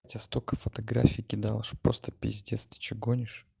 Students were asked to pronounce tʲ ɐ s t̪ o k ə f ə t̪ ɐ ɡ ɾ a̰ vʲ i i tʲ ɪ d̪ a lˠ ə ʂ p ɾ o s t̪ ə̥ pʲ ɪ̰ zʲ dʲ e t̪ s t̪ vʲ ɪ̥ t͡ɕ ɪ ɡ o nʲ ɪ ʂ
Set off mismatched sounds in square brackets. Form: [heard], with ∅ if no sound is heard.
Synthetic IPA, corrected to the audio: tʲ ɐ s t̪ o k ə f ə t̪ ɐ ɡ ɾ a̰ [fʲ] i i [kʲ] ɪ d̪ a lˠ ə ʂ p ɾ o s t̪ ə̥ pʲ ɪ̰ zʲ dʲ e t̪ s t̪ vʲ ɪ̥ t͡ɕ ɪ ɡ o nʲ ɪ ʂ